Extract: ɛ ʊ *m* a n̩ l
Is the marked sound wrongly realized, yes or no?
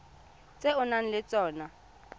yes